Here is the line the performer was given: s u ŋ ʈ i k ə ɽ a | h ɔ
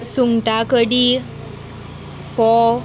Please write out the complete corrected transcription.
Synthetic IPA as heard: s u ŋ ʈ a k ə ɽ i | f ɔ